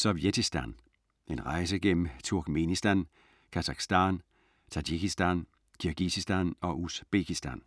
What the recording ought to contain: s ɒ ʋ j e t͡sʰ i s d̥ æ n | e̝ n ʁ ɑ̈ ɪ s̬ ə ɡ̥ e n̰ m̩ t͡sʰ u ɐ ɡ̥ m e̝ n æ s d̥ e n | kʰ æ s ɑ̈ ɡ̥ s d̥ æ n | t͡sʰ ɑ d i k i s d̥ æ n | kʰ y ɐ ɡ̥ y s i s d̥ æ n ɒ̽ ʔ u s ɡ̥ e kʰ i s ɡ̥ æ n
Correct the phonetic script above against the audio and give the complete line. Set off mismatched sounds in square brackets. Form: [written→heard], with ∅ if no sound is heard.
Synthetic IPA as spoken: s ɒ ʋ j e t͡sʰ i s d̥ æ n | e̝ n ʁ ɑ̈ ɪ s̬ ə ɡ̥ e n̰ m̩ t͡sʰ u ɐ ɡ̥ m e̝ n [æ→i] s d̥ [e→æ] n | kʰ æ s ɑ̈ ɡ̥ s d̥ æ n | t͡sʰ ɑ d i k i s d̥ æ n | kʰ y ɐ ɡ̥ [y→i] s i s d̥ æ n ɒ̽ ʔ u s [ɡ̥→b̥] e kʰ i s [ɡ̥→d̥] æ n